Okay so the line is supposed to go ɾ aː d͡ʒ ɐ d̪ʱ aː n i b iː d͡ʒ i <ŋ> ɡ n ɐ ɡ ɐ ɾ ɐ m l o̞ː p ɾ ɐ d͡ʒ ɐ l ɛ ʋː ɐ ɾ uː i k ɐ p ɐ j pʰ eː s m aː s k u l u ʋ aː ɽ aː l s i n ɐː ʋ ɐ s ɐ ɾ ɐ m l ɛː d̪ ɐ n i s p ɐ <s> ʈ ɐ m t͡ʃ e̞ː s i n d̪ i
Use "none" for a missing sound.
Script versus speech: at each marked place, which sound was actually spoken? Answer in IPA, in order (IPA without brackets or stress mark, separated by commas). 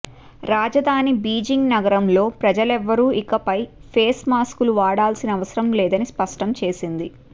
ŋ, ʂ